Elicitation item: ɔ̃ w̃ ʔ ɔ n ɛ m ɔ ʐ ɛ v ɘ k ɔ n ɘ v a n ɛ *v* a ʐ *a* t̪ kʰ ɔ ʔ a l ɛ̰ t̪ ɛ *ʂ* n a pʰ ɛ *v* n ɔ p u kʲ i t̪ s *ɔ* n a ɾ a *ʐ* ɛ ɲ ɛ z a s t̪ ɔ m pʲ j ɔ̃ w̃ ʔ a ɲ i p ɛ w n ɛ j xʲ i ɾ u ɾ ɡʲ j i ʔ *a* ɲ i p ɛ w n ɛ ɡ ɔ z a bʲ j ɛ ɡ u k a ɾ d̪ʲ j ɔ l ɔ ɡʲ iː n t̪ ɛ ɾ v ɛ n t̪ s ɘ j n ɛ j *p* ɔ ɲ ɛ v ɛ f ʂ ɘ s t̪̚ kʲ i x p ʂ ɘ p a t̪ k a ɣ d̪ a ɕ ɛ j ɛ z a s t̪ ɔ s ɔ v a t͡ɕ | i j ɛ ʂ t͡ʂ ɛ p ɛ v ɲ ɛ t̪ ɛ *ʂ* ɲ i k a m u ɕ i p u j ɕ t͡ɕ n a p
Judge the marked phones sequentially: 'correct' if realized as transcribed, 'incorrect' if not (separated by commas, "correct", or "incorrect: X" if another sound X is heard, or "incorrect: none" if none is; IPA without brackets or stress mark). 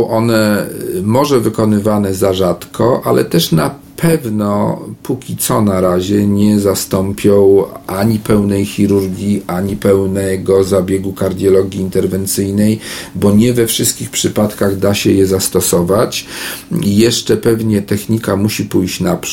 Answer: incorrect: z, correct, correct, correct, correct, incorrect: ʑ, correct, incorrect: b, incorrect: x